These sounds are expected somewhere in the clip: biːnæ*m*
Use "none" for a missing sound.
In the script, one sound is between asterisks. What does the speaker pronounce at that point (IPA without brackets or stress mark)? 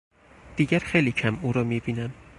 m